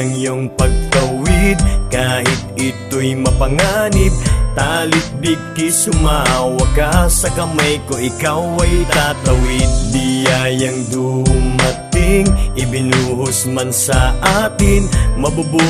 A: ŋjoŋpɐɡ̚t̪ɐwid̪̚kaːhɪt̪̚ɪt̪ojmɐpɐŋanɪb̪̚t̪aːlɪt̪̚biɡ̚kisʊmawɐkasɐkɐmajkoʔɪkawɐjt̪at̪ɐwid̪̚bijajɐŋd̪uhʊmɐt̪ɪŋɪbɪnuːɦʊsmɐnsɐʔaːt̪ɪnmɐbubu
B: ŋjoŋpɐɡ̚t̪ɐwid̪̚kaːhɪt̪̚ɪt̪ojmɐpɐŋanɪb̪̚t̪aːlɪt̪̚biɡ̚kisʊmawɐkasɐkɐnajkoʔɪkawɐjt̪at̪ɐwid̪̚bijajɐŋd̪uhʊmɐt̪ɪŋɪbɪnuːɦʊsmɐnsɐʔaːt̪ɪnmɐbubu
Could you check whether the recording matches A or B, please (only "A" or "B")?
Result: A